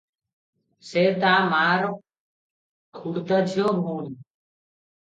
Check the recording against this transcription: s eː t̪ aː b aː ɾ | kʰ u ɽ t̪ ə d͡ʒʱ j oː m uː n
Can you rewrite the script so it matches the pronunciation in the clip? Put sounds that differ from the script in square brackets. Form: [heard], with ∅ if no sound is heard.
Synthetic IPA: s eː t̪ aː [m] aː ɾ | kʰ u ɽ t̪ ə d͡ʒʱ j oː m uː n